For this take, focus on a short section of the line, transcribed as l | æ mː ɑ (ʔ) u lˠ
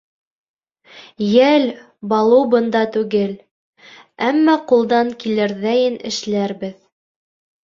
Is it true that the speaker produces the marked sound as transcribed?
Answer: no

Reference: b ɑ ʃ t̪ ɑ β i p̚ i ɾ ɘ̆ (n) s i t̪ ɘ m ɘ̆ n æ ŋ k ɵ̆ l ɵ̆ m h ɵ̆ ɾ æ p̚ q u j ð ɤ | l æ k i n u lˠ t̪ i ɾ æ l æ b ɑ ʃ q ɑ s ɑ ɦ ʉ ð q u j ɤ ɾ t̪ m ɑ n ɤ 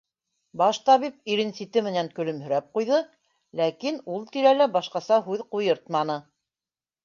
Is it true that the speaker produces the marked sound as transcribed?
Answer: yes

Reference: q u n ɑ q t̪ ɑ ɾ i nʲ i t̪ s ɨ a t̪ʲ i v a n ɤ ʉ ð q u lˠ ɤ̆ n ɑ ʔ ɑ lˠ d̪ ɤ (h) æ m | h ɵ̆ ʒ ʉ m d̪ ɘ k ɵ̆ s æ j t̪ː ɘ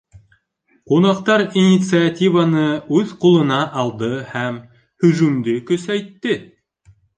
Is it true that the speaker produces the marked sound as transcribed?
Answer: yes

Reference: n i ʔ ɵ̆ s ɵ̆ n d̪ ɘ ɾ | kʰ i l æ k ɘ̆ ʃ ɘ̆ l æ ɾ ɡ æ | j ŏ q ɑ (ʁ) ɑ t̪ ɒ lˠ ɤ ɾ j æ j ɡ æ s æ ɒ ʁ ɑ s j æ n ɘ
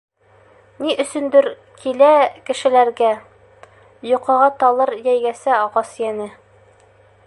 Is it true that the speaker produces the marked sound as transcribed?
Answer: yes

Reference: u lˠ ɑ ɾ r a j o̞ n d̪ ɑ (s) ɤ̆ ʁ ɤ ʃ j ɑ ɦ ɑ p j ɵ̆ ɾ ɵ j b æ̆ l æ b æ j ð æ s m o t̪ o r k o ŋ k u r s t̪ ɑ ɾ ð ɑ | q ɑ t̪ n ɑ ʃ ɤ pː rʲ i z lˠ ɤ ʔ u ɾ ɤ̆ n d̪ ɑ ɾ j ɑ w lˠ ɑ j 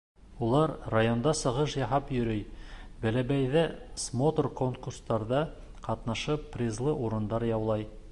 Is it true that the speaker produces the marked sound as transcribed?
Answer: yes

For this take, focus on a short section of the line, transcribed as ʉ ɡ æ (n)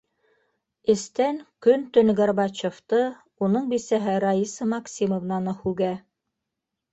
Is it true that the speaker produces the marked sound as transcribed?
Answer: no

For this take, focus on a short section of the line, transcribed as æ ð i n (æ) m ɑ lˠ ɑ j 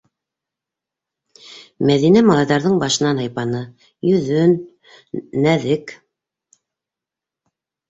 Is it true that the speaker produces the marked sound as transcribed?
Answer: yes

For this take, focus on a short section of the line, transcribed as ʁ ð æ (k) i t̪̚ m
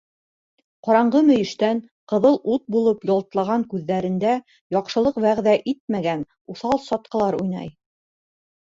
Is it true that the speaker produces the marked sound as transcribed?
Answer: no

